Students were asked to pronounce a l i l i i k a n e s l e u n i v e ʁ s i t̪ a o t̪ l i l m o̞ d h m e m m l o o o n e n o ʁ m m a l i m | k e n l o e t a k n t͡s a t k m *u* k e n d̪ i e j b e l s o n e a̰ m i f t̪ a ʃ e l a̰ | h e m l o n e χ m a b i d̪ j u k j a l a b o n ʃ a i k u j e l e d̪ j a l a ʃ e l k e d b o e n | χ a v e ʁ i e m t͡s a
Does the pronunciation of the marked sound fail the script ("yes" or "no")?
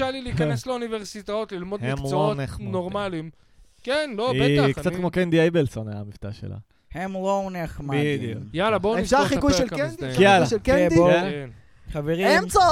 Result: yes